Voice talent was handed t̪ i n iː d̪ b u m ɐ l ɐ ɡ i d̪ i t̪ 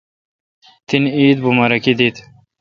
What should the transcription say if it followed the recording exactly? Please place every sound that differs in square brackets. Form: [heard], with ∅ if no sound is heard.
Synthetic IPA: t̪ i n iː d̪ b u m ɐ [ɾ] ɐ [k] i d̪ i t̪